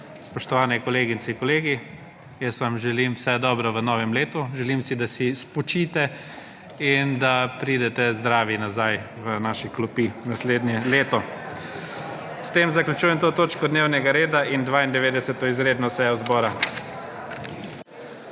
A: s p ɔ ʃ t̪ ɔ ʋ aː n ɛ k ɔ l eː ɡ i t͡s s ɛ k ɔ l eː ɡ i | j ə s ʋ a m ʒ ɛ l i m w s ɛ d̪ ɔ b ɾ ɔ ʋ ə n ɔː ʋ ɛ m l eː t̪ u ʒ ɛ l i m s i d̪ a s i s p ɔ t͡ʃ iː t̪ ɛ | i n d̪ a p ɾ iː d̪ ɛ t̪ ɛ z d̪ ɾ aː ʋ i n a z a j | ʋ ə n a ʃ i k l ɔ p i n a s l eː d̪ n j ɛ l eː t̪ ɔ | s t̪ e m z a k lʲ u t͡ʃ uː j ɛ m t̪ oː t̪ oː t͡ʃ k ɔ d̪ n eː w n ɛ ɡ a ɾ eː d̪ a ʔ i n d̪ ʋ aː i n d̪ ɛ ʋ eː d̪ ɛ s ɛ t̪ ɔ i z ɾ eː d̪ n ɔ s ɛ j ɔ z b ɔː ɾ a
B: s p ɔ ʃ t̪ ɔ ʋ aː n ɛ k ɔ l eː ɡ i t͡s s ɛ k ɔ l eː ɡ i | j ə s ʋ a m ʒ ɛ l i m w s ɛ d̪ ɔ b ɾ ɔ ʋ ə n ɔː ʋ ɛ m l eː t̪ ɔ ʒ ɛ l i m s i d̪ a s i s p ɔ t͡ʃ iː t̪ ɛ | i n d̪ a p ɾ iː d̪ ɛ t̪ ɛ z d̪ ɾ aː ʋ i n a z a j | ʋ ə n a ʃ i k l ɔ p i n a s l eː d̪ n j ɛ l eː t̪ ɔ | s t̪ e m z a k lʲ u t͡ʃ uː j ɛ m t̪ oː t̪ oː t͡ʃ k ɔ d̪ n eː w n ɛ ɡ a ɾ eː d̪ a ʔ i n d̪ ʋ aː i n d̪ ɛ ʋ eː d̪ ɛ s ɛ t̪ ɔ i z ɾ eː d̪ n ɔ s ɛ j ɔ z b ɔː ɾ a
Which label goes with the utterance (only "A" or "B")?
A